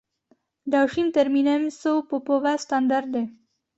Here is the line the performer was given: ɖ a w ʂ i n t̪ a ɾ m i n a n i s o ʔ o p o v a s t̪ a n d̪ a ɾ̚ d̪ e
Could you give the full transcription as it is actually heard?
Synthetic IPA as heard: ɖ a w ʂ i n t̪ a ɾ m i n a m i s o p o p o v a s t̪ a n d̪ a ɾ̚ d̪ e